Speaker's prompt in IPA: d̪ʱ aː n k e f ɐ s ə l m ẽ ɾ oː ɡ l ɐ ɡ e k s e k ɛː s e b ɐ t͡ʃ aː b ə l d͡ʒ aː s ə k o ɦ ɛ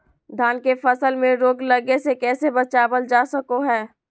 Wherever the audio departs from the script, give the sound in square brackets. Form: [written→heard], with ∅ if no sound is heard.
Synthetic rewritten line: d̪ʱ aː n k e f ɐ s ə l m ẽ ɾ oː ɡ l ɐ ɡ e [k→∅] s e k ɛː s e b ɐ t͡ʃ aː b ə l d͡ʒ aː s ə k o ɦ [ɛ→ɛː]